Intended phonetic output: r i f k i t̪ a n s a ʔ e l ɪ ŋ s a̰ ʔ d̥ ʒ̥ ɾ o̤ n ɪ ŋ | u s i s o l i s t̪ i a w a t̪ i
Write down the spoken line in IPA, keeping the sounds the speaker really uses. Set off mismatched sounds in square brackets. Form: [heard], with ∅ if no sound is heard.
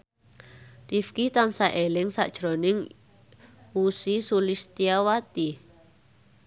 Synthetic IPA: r i f k i t̪ a n s a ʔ e l ɪ ŋ s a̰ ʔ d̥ ʒ̥ ɾ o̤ n ɪ ŋ | u s i s [u] l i s t̪ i a w a t̪ i

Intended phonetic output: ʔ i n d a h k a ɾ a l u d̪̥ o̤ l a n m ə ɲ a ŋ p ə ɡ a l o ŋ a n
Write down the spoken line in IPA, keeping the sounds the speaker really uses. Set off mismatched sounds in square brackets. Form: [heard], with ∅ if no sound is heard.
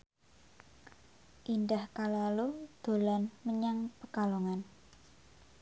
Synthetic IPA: ʔ i n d a h k a [l] a l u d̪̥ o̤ l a n m ə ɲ a ŋ p ə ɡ a l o ŋ a n

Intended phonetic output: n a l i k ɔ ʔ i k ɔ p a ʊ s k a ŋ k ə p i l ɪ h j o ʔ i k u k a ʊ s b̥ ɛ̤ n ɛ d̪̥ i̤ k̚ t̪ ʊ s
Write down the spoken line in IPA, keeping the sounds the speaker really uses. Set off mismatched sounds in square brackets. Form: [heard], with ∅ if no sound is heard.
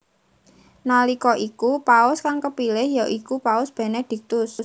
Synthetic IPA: n a l i k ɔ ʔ i k [u] p a ʊ s k a ŋ k ə p i l ɪ h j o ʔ i k u [p] a ʊ s b̥ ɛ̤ n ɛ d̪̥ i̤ k̚ t̪ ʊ s

